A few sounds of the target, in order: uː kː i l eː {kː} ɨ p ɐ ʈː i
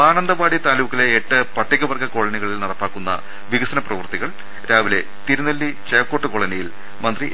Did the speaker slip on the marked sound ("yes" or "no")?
yes